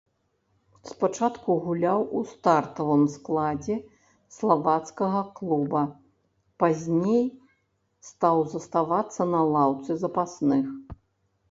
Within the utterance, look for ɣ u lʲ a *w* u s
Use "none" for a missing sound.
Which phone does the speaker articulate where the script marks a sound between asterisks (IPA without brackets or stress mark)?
w